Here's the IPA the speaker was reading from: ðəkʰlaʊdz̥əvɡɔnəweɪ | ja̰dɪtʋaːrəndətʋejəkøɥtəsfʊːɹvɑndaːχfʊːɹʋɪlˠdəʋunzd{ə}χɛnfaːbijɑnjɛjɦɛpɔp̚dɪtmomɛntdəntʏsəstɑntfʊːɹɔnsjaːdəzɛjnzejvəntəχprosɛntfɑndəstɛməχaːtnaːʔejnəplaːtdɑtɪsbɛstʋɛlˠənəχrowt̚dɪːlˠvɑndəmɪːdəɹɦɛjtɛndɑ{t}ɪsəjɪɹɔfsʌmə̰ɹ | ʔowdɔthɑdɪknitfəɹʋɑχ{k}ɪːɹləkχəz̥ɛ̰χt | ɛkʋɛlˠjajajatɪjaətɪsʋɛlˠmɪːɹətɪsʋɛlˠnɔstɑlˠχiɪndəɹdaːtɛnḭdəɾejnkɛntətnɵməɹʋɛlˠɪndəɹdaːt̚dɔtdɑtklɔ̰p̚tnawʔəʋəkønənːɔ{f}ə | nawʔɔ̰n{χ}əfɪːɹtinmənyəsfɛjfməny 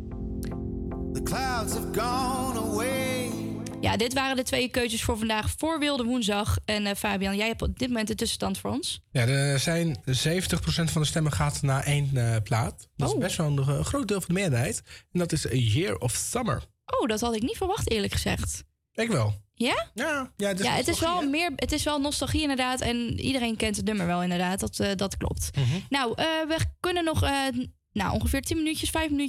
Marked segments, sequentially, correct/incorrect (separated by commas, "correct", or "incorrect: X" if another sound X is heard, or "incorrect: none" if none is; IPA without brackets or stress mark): incorrect: ɑ, correct, incorrect: t, incorrect: χ, correct